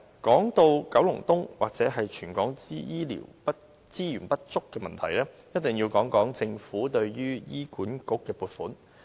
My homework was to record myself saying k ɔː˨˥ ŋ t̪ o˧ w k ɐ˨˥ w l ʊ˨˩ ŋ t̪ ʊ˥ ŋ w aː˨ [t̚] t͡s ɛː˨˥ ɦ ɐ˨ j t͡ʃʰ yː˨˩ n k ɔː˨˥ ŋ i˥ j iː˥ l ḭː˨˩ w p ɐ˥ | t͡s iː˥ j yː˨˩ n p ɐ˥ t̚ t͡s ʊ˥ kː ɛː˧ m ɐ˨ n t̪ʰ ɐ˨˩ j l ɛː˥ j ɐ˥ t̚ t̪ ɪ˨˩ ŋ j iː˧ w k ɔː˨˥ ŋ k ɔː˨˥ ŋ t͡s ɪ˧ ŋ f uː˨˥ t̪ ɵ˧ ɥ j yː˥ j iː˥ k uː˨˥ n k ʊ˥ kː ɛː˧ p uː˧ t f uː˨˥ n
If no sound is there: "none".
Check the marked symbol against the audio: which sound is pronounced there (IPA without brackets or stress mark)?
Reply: k̚